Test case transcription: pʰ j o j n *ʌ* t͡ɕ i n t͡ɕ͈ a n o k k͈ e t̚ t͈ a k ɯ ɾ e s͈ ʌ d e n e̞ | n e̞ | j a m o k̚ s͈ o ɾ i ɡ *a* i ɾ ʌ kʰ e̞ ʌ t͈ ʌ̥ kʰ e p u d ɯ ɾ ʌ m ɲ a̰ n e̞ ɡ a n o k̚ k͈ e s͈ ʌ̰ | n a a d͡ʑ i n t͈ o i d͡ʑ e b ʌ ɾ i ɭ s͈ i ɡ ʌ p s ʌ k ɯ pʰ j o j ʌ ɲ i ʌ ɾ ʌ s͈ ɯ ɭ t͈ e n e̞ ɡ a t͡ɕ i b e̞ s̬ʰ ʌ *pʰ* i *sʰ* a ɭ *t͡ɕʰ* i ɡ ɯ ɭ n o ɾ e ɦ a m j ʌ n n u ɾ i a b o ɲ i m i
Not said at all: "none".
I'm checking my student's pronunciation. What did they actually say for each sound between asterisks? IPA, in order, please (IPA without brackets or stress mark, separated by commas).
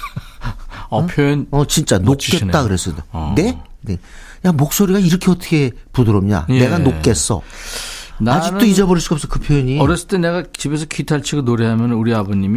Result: ʌ, a, kʰ, tʰ, t͡ɕʰ